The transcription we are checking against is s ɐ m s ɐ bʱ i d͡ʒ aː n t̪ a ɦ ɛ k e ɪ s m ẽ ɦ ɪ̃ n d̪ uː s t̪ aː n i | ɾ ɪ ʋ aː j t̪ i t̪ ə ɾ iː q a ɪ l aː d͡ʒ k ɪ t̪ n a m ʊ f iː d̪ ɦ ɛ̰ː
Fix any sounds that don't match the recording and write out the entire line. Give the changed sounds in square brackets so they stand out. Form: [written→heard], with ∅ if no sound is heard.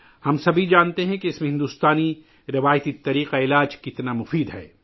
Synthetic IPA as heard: [s→h] ɐ m s ɐ bʱ i d͡ʒ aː n t̪ [a→e] ɦ [ɛ→ɛ̃] k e ɪ s m ẽ ɦ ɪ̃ n d̪ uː s t̪ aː n i | ɾ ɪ ʋ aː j t̪ i t̪ [ə→ɐ] ɾ iː q a ɪ l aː d͡ʒ k ɪ t̪ n a m ʊ f iː d̪ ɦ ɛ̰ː